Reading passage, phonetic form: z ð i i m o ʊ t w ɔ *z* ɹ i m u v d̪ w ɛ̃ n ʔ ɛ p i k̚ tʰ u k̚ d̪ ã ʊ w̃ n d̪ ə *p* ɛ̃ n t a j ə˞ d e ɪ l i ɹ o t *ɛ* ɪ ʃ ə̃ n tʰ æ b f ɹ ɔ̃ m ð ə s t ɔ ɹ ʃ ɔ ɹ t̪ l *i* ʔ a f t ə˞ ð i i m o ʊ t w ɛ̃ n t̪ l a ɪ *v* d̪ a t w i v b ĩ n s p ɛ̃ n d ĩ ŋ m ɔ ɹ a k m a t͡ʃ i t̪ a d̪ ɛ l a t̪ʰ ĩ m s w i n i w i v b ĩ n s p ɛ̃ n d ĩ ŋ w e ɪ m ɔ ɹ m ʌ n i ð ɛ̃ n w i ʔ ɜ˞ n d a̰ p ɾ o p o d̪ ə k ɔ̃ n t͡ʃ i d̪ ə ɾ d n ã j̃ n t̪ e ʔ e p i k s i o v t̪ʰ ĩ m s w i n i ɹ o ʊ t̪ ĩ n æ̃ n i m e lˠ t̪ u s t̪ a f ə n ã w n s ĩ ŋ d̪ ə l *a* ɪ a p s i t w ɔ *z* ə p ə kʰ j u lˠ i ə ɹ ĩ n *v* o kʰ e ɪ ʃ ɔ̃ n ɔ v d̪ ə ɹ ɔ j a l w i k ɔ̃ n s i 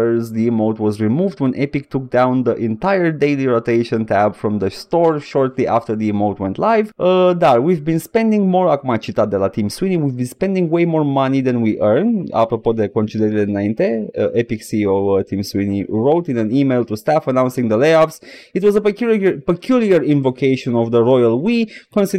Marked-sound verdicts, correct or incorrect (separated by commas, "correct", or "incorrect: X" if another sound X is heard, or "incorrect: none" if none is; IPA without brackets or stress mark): correct, incorrect: ʔ, incorrect: e, correct, correct, incorrect: e, correct, correct